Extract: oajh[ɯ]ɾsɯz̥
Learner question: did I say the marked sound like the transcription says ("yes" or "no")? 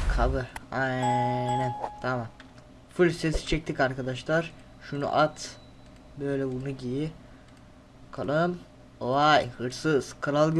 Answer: yes